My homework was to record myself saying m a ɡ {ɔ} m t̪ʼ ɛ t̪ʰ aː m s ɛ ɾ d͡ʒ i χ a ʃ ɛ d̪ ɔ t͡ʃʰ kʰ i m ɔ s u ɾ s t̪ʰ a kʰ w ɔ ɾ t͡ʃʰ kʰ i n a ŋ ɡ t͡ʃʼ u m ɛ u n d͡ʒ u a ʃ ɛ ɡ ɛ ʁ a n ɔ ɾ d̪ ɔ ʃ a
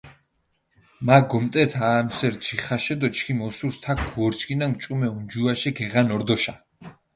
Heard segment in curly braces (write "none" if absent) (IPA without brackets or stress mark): ɔ